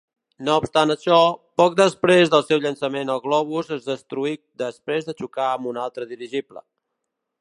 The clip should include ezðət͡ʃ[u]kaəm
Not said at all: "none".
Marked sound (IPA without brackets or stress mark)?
u